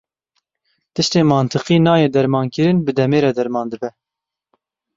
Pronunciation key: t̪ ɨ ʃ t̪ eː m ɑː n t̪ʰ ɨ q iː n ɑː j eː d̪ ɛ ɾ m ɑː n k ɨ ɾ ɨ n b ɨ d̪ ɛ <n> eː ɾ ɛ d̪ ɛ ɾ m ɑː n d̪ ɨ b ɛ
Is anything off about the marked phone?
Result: yes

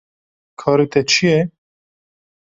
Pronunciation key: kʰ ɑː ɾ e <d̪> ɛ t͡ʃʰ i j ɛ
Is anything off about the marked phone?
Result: yes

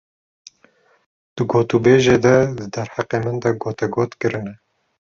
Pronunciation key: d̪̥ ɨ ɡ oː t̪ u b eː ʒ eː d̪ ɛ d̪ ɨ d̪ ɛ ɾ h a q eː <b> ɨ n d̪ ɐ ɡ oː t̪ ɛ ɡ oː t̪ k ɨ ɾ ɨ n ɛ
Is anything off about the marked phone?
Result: yes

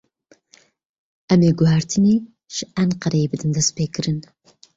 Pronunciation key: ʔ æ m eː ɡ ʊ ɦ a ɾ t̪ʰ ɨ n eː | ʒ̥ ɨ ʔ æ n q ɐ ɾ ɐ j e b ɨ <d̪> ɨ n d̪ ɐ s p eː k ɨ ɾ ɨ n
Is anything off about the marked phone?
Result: no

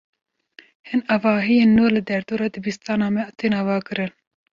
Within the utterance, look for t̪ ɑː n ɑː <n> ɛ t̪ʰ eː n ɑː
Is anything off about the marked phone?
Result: yes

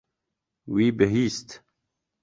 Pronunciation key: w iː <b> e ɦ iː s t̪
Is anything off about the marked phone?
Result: no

